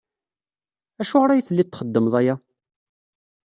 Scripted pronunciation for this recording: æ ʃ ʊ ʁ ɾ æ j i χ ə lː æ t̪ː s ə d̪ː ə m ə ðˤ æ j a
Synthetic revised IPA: æ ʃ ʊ ʁ ɾ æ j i θ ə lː i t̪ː χ ə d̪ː ə m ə ðˤ æ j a

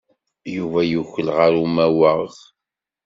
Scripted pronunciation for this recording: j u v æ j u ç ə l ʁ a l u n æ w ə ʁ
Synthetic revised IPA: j u v æ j u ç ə l ʁ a ɾ u m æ w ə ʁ

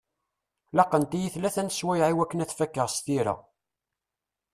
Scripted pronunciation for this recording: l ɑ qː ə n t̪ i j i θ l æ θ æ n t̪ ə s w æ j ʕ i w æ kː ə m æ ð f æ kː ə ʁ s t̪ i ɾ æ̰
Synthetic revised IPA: l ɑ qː ə n t̪ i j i θ l æ θ æ n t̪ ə s w æ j ʕ i w æ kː ə n æ θ f æ kː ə ʁ s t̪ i ɾ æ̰

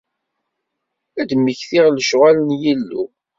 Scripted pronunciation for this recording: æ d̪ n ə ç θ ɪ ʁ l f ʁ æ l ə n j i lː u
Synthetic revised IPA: æ d̪ m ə ç θ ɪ ʁ l ʃ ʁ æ l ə n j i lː u

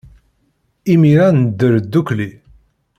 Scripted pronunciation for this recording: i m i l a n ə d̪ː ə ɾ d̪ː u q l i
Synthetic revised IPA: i m i ɾ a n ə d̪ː ə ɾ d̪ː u k l i

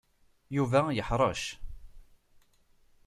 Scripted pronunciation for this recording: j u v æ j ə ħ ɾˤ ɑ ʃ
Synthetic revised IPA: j u v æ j ə ħ ɾˤ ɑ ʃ

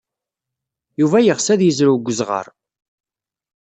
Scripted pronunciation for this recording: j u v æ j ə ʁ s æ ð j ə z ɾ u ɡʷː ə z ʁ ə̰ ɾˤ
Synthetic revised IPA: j u v æ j ə ʁ s æ ð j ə z ɾ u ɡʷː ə z ʁ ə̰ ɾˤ

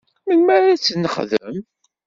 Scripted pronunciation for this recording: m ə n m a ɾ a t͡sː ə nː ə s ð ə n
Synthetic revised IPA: m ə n m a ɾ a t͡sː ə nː ə χ ð ə m

